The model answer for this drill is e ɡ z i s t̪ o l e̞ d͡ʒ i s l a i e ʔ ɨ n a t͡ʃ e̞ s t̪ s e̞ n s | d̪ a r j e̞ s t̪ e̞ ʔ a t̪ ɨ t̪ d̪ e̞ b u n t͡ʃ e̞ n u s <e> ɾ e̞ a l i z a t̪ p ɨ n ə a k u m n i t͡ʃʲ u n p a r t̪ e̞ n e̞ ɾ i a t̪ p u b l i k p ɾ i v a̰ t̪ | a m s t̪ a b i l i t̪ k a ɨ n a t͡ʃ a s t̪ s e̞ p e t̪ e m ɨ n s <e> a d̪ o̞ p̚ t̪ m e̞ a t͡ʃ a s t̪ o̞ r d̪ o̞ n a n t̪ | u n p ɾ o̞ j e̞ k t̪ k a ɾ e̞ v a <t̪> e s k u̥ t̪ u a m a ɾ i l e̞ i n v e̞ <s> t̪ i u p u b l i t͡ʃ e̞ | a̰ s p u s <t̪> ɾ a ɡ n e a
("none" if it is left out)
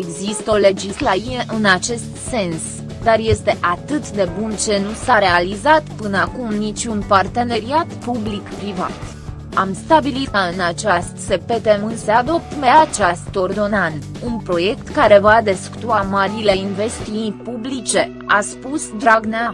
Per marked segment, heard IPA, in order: a, e, d̪, s, d̪

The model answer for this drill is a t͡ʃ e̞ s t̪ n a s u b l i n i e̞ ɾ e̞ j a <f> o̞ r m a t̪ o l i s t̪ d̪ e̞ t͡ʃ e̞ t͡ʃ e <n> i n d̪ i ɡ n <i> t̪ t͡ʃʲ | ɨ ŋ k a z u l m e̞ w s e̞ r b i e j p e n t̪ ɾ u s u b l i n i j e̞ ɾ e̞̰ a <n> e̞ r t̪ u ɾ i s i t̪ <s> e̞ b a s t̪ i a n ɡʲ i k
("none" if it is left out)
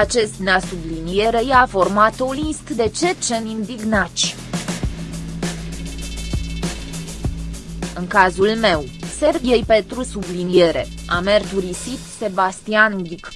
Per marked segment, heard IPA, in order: f, n, a, m, s

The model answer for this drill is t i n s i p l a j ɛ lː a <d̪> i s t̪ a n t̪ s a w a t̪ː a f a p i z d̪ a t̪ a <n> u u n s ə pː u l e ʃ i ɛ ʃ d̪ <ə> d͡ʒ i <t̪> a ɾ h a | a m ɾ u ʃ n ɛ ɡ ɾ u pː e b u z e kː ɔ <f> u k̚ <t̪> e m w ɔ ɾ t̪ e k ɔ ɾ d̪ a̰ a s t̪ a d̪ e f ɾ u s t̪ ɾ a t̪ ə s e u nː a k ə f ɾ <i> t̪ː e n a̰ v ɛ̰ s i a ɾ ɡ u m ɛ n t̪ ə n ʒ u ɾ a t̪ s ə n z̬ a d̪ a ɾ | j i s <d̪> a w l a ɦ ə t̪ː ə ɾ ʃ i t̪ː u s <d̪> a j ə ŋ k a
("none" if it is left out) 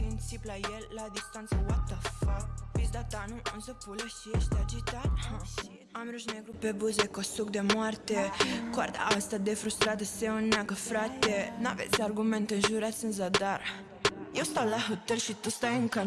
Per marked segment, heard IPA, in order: d̪, n, a, t̪, s, d̪, a, t̪, t̪

